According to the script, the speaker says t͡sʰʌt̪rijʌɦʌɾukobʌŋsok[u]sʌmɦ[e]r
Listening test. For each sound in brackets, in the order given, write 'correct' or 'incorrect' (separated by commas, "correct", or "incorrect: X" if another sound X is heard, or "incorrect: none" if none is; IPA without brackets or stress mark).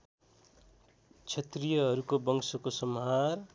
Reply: incorrect: o, incorrect: a